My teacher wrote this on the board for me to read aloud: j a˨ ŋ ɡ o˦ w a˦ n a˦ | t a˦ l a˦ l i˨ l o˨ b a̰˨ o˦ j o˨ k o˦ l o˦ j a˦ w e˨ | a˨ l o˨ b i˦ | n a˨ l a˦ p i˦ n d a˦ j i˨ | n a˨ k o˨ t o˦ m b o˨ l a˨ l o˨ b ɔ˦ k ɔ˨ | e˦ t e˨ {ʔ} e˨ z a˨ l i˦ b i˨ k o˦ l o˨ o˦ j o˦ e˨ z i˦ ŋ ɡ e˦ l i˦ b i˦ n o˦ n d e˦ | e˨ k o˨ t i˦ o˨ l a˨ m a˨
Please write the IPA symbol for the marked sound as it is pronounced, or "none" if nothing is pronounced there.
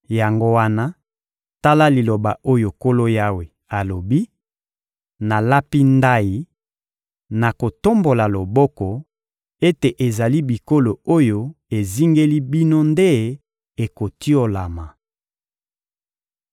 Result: ʔ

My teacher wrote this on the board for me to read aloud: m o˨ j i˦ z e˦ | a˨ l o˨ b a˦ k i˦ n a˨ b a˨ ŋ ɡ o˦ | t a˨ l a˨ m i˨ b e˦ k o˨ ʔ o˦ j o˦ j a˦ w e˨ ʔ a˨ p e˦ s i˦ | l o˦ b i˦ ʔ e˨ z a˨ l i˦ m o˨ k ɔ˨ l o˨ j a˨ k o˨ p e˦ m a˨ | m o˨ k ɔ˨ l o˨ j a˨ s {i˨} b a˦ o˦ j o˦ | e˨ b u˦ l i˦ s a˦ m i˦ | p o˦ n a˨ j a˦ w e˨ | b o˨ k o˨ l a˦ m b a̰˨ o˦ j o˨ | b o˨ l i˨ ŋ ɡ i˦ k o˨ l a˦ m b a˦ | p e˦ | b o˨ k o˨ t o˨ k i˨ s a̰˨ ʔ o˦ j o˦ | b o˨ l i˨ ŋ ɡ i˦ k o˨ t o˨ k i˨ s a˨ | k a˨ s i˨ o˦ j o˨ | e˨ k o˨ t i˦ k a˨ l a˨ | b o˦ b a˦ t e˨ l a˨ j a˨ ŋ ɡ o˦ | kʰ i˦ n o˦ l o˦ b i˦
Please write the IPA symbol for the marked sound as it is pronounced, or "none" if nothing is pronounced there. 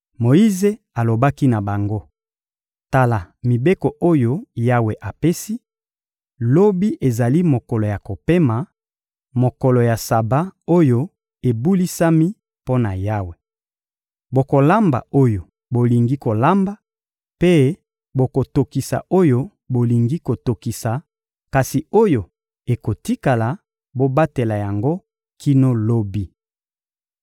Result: a˨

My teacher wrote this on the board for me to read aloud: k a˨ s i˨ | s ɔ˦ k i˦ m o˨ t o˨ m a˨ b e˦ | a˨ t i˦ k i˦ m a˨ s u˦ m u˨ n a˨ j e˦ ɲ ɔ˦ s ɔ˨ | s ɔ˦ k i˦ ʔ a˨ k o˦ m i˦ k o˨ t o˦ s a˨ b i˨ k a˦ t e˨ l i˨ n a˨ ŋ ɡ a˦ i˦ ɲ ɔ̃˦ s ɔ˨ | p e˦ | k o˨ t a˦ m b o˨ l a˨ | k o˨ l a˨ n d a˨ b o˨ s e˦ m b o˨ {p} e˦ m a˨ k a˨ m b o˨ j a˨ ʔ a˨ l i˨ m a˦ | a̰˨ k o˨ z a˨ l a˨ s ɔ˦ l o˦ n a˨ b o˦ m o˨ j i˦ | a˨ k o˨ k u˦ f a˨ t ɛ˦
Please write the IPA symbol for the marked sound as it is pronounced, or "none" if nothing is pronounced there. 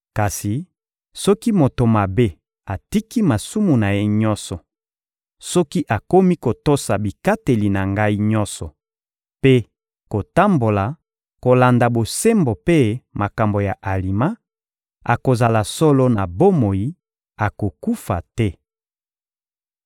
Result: p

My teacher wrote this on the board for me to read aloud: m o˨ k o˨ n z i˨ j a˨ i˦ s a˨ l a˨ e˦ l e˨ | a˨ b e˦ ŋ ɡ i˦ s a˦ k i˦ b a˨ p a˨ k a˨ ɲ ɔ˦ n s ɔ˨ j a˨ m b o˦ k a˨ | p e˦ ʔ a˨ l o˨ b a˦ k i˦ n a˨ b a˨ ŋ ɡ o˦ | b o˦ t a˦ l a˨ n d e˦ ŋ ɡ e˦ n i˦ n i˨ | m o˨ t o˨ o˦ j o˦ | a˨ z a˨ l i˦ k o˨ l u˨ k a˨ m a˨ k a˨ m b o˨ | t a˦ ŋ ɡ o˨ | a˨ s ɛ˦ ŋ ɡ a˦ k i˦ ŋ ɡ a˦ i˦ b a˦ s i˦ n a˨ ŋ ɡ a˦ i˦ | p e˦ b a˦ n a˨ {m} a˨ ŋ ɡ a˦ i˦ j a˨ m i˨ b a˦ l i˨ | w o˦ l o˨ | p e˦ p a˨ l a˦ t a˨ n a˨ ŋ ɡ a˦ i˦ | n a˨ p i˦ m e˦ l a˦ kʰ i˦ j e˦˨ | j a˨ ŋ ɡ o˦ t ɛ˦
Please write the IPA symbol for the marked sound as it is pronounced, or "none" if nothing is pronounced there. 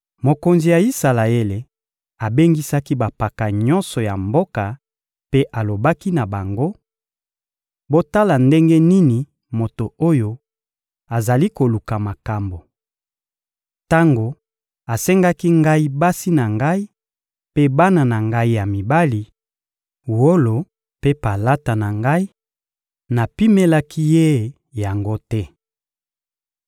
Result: n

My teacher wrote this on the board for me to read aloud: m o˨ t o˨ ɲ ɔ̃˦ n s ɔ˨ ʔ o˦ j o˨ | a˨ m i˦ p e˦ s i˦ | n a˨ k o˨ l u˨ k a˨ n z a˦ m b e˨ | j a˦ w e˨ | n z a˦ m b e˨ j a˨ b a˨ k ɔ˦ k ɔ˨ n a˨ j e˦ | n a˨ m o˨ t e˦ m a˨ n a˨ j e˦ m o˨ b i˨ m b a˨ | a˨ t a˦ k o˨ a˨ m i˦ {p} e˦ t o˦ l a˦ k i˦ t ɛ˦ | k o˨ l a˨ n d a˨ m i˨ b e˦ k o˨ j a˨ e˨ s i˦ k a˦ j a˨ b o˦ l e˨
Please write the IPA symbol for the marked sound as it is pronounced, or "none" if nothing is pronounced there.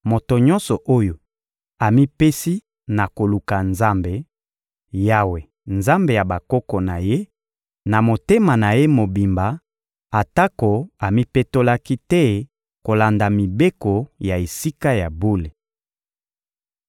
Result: p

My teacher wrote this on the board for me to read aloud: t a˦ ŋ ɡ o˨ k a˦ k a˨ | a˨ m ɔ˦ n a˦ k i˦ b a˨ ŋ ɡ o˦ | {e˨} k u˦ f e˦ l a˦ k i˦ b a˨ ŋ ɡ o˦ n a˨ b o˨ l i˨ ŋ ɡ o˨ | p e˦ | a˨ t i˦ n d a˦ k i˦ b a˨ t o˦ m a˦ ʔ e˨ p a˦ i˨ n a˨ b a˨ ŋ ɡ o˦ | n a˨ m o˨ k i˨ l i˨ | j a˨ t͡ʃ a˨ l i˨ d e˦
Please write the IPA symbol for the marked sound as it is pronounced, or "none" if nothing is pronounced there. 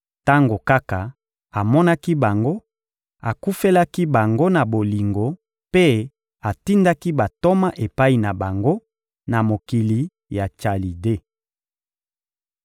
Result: a˨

